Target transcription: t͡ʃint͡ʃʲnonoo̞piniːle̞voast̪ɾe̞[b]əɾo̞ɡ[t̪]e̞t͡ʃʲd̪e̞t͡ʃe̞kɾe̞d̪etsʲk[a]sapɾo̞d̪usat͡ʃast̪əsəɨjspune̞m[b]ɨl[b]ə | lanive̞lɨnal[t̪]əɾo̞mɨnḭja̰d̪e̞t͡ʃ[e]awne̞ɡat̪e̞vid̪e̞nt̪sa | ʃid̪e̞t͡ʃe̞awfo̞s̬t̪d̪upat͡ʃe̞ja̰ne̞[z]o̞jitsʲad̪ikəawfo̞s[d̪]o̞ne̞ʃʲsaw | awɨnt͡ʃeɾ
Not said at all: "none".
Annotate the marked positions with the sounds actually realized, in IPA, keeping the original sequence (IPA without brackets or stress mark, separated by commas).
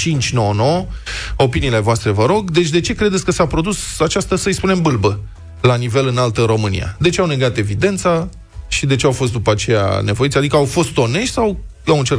v, d̪, ə, b, b, t̪, e, v, t̪